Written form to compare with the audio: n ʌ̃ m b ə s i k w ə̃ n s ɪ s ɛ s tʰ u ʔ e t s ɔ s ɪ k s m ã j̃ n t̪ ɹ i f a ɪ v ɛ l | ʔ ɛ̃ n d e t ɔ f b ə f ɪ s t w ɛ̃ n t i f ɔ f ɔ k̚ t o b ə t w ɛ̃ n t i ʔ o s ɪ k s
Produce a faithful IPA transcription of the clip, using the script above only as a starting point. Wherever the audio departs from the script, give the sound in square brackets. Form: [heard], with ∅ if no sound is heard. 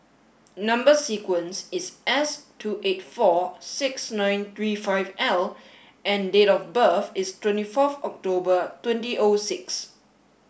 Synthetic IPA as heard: n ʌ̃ m b ə s i k w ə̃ n s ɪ s ɛ s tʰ u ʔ e t [f] ɔ s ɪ k s [n] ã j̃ n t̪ ɹ i f a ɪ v ɛ l | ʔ ɛ̃ n d e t ɔ f b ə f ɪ s t w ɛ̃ n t i f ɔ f ɔ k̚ t o b ə t w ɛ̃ n t i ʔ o s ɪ k s